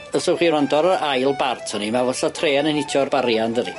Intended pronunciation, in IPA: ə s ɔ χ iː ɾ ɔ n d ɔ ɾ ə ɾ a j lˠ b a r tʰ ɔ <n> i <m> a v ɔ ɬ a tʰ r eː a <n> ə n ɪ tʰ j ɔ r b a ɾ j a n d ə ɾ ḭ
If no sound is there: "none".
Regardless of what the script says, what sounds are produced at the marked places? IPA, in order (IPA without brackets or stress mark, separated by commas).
n, m, n